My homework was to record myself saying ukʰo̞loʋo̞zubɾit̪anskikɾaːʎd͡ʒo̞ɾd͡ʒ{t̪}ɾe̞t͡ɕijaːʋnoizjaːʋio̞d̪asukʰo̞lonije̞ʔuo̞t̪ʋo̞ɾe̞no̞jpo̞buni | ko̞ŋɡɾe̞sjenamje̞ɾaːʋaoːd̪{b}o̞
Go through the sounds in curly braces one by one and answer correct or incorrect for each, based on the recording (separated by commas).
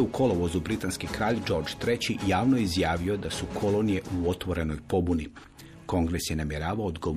correct, incorrect